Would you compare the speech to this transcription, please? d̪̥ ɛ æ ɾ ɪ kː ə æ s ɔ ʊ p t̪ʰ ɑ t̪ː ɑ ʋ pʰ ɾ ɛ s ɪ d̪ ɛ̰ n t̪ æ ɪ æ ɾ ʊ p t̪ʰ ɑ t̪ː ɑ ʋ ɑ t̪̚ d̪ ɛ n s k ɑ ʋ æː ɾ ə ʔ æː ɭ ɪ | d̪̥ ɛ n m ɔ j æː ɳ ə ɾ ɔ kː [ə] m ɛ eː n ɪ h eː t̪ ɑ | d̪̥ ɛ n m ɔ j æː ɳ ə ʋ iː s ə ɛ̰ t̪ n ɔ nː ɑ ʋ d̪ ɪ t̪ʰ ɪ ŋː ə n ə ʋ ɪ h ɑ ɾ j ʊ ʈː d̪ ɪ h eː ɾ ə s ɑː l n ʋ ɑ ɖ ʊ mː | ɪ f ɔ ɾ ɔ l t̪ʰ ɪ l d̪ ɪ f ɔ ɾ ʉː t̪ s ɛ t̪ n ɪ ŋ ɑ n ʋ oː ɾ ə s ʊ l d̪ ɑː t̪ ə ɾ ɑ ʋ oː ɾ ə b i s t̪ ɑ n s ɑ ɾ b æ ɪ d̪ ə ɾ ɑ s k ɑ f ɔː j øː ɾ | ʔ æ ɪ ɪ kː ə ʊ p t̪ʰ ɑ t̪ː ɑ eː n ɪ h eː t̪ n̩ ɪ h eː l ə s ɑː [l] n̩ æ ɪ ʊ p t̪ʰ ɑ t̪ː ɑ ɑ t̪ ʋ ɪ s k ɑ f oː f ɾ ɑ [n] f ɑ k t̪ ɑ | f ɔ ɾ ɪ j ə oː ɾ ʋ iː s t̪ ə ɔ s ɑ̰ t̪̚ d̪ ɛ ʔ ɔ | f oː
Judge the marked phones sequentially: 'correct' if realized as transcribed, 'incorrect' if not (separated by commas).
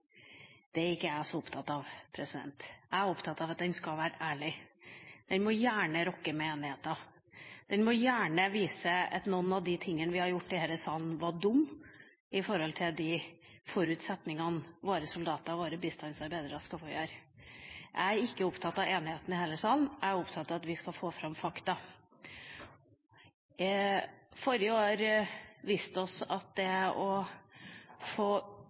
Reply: correct, correct, incorrect